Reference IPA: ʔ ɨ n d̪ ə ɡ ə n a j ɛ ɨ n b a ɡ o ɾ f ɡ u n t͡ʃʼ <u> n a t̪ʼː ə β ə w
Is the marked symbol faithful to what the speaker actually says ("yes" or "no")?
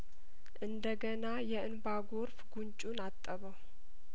yes